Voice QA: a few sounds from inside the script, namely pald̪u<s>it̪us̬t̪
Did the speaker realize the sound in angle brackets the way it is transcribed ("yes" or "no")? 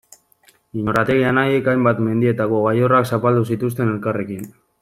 yes